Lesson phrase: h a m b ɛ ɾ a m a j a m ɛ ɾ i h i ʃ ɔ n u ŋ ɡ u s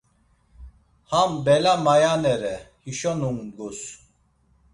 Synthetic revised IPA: h a m b ɛ l a m a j a n ɛ ɾ ɛ h i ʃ ɔ n u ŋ ɡ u s